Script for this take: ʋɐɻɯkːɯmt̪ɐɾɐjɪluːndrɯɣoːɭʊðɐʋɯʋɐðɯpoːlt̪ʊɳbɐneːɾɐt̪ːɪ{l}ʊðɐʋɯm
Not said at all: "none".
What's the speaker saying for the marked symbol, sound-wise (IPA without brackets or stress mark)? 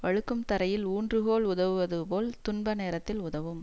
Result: l